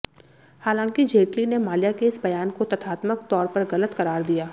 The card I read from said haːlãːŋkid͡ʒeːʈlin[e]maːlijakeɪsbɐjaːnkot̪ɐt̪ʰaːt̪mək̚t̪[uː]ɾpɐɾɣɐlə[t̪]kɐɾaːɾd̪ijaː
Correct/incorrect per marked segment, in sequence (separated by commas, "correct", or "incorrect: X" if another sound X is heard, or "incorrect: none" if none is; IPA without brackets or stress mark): correct, incorrect: ɔː, correct